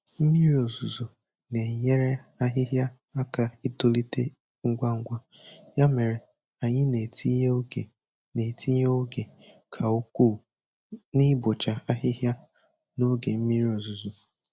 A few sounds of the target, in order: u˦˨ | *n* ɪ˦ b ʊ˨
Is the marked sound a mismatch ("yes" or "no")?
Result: no